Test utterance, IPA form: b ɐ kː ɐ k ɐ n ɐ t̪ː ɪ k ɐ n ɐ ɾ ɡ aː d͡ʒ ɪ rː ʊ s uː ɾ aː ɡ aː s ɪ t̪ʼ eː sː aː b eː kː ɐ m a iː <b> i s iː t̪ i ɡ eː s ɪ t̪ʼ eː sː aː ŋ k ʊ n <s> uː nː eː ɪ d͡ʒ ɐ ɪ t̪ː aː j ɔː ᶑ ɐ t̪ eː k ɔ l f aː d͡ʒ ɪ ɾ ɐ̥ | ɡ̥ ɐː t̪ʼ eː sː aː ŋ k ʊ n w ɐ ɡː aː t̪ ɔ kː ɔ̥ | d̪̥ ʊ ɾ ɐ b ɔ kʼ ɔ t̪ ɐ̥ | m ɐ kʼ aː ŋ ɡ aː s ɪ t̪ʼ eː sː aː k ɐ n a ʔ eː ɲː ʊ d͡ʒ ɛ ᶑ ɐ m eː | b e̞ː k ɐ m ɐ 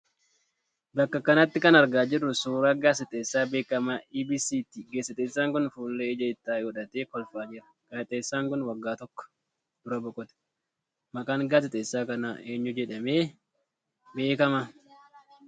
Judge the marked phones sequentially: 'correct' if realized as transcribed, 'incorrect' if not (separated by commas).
correct, incorrect